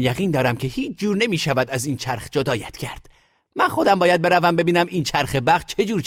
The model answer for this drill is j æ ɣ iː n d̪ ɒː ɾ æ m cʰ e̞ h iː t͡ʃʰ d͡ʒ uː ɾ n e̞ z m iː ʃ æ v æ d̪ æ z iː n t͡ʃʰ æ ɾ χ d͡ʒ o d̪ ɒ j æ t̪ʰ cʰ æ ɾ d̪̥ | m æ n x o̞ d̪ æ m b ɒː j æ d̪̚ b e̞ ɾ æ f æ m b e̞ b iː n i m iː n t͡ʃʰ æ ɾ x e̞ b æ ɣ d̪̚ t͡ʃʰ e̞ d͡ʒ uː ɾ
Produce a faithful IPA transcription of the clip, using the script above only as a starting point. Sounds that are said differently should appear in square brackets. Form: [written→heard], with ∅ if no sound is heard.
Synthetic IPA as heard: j æ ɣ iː n d̪ ɒː ɾ æ m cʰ e̞ h iː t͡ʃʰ d͡ʒ uː ɾ n e̞ [z→∅] m iː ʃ æ v æ d̪ æ z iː n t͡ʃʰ æ ɾ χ d͡ʒ o d̪ [ɒ→ɒː] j æ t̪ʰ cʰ æ ɾ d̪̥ | m æ n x o̞ d̪ æ m b ɒː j æ d̪̚ b e̞ ɾ æ [f→v] æ m b e̞ b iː n [i→æ] m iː n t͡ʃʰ æ ɾ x e̞ b æ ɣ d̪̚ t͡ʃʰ e̞ d͡ʒ uː ɾ